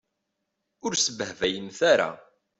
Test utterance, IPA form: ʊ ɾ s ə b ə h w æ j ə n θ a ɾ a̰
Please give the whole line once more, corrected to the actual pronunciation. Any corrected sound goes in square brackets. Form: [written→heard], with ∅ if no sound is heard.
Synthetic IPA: ʊ ɾ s ə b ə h [w→v] æ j ə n θ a ɾ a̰